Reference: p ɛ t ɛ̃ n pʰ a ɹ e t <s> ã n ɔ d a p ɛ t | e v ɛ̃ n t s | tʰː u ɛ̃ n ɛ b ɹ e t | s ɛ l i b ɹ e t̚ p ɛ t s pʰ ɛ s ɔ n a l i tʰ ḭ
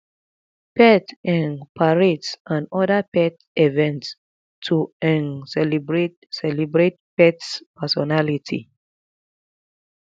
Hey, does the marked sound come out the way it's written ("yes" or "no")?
yes